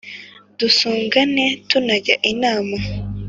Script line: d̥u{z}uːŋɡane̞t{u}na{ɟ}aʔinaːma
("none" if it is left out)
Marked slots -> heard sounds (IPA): s, u, ɟ

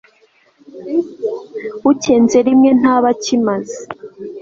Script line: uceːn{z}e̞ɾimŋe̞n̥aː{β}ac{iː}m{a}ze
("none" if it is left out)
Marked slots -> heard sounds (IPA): z, β, i, a

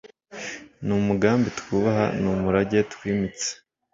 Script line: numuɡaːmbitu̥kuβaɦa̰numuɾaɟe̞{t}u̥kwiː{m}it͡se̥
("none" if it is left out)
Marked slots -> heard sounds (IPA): t, m

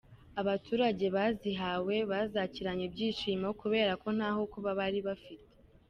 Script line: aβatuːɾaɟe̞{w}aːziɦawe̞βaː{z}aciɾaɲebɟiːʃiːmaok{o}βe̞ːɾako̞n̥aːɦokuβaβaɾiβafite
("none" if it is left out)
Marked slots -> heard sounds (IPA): β, z, u

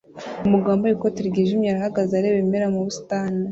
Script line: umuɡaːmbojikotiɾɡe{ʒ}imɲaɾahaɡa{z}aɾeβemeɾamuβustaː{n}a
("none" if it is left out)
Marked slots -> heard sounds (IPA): ʒ, z, n

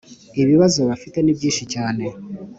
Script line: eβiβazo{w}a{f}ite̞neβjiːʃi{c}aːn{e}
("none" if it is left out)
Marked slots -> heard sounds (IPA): β, f, c, e

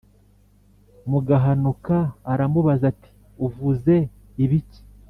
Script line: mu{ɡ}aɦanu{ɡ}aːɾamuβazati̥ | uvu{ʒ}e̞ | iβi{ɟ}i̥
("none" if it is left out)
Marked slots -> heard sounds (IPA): ɡ, k, z, c

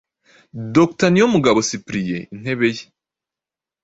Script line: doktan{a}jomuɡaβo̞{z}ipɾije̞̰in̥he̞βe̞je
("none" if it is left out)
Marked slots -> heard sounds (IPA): i, s

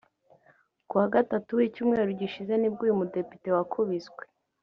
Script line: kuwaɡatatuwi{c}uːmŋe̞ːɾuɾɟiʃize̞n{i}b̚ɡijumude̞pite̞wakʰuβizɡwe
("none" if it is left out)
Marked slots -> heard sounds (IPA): c, i

